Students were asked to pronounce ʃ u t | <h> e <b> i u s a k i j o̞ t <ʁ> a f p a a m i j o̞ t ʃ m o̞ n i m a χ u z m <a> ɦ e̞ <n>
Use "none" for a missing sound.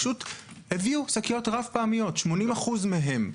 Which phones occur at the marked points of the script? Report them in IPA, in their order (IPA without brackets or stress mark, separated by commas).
h, v, ʁ, e, m